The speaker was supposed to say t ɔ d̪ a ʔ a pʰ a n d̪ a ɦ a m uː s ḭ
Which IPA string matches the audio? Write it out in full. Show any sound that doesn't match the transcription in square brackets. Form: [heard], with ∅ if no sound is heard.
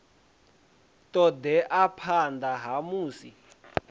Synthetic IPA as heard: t ɔ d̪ [ɛ] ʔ a pʰ a n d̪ a ɦ a m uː s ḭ